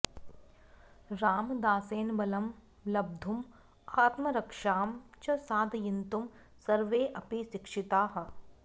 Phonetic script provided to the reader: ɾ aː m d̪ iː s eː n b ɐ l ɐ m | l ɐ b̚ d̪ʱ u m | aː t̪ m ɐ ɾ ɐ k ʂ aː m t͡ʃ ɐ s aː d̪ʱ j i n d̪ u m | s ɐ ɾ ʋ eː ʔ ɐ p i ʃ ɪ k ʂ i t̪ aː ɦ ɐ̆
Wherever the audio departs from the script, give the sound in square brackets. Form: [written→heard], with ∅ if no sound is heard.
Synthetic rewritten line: ɾ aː m d̪ [iː→aː] s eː n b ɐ l ɐ m | l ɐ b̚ d̪ʱ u m | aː t̪ m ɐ ɾ ɐ k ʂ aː m t͡ʃ ɐ s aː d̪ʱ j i n [d̪→t̪] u m | s ɐ ɾ ʋ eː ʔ ɐ p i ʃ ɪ k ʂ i t̪ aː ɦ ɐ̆